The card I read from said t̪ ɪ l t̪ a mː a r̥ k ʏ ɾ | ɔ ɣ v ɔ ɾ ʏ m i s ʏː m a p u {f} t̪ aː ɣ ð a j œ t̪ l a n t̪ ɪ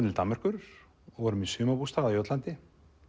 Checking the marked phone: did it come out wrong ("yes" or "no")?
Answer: yes